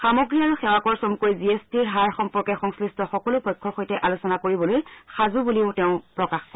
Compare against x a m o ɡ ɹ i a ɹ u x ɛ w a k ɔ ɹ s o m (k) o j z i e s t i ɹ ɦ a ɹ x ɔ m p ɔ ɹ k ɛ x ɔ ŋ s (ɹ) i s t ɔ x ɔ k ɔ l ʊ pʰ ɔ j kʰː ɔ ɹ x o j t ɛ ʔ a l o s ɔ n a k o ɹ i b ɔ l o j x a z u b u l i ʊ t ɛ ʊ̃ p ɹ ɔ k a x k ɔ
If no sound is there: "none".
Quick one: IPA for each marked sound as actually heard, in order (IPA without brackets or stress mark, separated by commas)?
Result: k, l